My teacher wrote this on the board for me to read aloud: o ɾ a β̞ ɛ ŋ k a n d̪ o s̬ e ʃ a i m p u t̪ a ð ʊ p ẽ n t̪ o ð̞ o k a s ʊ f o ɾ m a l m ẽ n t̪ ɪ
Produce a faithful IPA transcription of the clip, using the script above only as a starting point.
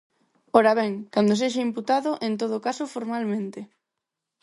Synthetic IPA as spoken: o ɾ a β̞ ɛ ŋ k a n d̪ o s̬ e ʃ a i m p u t̪ a ð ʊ ʔ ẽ n t̪ o ð̞ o k a s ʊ f o ɾ m a l m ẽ n t̪ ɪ